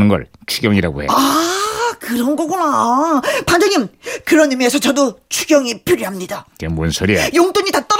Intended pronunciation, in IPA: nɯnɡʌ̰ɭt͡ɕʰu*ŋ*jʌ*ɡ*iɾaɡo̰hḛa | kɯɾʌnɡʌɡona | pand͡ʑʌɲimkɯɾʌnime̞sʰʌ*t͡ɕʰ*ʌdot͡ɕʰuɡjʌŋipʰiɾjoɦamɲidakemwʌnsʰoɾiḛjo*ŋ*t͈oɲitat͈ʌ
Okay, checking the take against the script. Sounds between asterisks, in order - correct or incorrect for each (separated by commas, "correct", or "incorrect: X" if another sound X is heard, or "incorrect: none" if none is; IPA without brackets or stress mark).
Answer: incorrect: ɡ, incorrect: ŋ, incorrect: t͡ɕ, correct